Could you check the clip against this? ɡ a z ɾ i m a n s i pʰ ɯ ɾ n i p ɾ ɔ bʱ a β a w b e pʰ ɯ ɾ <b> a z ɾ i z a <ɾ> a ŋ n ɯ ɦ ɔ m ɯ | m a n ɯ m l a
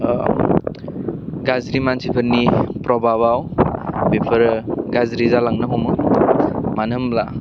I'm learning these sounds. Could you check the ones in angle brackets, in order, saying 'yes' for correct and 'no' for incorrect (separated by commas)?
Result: no, no